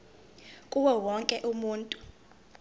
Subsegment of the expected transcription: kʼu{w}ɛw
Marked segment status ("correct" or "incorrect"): correct